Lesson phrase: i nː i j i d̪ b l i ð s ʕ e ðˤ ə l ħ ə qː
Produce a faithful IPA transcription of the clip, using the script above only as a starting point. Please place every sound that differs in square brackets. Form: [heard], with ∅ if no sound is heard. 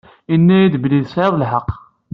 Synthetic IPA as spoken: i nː [æ] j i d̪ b l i ð s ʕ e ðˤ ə l ħ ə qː